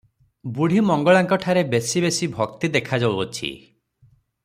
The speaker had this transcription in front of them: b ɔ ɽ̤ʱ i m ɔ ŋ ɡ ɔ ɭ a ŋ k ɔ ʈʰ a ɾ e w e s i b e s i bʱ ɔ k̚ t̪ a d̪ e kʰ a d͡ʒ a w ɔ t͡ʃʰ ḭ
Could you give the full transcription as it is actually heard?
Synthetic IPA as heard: b u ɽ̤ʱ i m ɔ ŋ ɡ ɔ ɭ a ŋ k ɔ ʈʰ a ɾ e b e s i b e s i bʱ ɔ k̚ t̪ i d̪ e kʰ a d͡ʒ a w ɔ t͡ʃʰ ḭ